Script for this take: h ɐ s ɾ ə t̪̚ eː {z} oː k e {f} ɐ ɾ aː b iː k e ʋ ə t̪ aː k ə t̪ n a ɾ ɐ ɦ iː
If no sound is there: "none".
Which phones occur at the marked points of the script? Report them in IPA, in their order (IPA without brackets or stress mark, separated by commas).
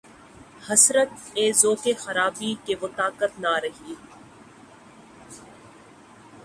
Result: z, x